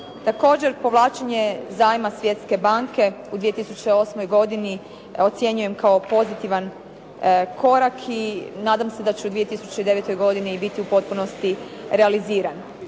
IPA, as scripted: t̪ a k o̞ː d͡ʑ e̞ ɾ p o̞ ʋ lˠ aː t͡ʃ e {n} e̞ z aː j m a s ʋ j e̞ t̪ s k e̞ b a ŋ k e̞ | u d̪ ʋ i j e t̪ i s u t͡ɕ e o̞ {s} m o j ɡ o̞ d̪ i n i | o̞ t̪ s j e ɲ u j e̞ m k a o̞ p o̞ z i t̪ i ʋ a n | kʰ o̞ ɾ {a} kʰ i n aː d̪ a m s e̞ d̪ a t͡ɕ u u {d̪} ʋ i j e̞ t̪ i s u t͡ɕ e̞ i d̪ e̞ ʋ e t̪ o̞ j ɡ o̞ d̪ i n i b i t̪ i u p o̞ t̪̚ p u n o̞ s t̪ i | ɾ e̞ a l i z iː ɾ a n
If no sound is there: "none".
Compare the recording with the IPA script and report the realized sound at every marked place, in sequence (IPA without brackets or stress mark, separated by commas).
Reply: ɲ, s, a, d̪